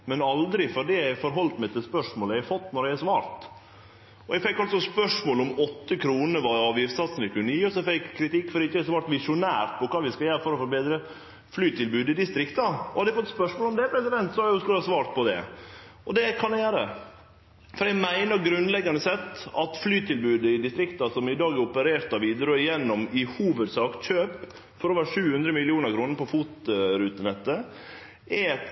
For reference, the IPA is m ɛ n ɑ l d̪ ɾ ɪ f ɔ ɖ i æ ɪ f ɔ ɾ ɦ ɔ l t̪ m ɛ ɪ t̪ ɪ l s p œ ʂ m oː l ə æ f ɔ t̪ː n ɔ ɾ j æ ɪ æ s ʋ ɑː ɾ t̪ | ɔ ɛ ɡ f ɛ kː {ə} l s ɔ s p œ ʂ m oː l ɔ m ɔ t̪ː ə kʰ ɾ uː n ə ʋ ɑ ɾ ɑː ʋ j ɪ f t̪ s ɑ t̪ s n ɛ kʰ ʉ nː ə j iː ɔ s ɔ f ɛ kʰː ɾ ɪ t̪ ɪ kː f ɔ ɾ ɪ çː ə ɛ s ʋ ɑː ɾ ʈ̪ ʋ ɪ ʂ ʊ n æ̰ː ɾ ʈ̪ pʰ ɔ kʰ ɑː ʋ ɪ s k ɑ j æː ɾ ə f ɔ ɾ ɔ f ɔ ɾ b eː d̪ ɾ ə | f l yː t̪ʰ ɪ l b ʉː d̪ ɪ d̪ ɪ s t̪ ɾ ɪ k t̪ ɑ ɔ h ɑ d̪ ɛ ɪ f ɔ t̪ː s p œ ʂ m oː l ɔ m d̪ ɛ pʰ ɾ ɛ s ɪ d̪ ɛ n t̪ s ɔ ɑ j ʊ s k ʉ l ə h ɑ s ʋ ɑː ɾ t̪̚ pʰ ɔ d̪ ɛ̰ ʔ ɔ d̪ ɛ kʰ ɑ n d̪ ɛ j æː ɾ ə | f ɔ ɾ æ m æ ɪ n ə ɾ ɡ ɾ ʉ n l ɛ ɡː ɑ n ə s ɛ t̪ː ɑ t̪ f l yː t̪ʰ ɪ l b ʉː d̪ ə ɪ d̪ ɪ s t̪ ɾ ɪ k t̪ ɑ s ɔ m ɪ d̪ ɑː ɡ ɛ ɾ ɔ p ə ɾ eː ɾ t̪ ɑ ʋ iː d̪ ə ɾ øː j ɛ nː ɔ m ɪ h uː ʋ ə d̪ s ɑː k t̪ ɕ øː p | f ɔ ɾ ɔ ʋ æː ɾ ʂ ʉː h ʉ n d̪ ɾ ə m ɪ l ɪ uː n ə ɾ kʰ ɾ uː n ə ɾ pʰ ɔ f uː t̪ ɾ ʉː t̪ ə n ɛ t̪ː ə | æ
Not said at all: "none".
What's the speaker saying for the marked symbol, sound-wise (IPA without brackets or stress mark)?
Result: ɑ